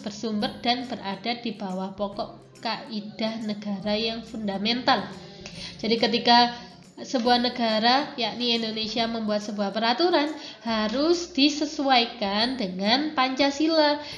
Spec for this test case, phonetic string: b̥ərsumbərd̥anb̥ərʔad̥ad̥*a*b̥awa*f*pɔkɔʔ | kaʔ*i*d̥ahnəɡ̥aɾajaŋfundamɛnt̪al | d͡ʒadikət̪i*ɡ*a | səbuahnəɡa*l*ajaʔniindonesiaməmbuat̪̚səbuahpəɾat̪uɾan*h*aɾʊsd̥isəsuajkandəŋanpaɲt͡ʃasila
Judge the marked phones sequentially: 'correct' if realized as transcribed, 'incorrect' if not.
incorrect, incorrect, correct, incorrect, incorrect, correct

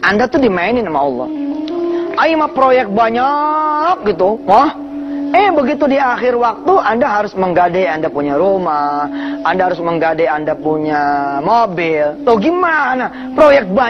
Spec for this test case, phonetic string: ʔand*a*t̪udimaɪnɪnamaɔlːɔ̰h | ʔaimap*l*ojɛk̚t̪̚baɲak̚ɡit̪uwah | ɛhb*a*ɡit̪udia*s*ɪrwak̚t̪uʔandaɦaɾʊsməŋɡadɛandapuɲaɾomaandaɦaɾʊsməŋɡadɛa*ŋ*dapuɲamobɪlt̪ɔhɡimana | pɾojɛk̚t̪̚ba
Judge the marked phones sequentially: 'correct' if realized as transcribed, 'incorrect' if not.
correct, incorrect, incorrect, incorrect, incorrect

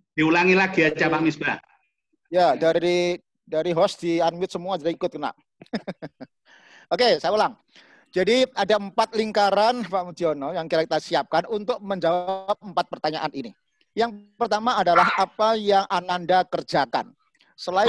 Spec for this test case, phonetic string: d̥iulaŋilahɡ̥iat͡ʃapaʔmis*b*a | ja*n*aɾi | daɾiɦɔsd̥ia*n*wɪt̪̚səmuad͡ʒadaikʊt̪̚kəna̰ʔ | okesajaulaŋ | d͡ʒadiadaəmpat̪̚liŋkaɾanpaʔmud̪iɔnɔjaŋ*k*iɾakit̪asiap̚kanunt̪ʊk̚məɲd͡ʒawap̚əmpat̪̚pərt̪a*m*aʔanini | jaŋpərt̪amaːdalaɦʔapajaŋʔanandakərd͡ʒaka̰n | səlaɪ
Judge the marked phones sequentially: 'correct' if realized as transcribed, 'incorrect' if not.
correct, incorrect, correct, correct, incorrect

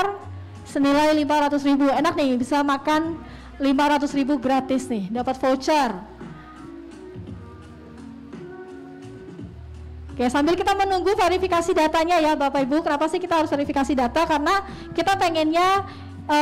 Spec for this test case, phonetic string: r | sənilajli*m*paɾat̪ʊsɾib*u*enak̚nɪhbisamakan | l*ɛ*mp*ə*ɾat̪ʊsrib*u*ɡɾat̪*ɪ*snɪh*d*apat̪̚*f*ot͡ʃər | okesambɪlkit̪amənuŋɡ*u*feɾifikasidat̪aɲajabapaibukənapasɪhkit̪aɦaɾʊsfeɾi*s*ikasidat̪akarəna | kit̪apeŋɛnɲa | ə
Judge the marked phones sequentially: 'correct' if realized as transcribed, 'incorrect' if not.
correct, correct, incorrect, incorrect, correct, correct, correct, correct, correct, incorrect

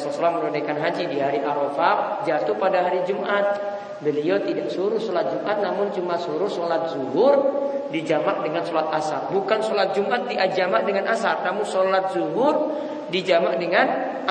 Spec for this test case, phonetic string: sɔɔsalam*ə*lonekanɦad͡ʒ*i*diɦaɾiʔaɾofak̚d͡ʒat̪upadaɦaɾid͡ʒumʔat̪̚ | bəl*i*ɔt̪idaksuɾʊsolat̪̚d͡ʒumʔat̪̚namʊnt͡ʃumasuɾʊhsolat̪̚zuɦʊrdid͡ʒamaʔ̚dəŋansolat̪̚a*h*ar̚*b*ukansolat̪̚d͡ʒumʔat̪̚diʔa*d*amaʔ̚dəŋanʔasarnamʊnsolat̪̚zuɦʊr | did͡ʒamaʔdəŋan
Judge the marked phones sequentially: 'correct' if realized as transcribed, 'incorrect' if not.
correct, correct, correct, incorrect, correct, incorrect

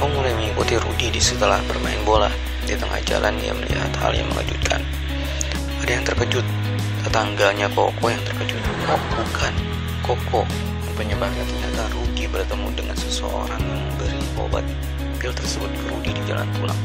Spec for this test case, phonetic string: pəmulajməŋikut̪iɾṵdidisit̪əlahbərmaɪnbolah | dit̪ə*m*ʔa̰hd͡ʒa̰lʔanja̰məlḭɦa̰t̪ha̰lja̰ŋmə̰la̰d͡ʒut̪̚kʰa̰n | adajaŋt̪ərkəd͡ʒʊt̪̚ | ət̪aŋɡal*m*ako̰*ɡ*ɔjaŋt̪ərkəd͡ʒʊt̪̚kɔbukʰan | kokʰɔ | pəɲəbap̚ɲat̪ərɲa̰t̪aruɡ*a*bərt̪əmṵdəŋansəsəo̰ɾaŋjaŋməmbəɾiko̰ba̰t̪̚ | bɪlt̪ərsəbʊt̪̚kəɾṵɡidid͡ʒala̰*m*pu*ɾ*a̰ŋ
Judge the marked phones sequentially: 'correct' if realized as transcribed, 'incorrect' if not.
incorrect, incorrect, incorrect, incorrect, incorrect, incorrect

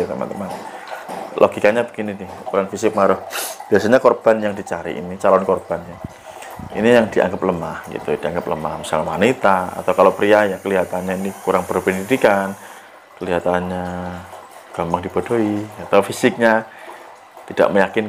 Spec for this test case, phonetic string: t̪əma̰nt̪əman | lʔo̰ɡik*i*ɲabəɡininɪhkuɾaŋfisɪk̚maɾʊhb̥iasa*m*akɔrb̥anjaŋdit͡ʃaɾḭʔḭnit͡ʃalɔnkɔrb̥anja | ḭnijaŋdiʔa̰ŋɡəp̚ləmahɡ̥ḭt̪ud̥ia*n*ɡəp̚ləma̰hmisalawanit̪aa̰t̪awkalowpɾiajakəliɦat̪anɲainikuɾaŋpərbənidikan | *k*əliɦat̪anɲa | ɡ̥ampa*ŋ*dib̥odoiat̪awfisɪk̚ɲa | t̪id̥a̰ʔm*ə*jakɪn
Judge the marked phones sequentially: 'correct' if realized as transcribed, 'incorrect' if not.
incorrect, incorrect, incorrect, correct, correct, correct

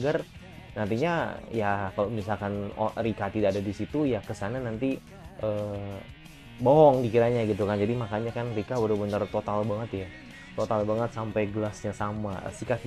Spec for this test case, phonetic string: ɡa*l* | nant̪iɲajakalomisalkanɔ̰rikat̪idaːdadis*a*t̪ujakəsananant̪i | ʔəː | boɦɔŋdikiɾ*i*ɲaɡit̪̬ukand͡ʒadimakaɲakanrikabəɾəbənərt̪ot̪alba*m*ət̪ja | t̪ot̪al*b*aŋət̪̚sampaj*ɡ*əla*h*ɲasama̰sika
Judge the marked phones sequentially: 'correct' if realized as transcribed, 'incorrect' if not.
incorrect, incorrect, incorrect, incorrect, correct, correct, incorrect

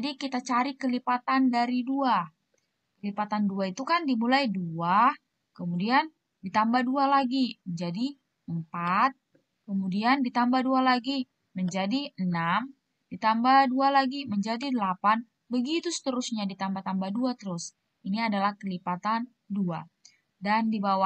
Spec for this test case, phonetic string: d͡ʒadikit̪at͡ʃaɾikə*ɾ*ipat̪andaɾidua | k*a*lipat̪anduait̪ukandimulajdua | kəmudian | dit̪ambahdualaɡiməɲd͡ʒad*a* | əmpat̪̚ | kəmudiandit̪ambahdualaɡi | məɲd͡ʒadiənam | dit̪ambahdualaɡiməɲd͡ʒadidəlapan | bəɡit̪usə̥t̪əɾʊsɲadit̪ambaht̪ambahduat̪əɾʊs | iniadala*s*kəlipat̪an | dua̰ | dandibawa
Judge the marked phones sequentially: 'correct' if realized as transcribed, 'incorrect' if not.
incorrect, incorrect, incorrect, incorrect

